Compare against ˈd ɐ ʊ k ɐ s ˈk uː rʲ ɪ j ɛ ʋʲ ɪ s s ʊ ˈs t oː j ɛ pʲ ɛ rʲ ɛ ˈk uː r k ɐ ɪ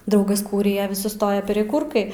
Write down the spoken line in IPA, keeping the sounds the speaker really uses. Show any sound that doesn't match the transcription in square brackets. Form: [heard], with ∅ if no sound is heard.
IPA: ˈd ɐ ʊ [ɡ] ɐ s ˈk uː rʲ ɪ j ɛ ʋʲ ɪ s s ʊ ˈs t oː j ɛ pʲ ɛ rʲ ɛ ˈk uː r k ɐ ɪ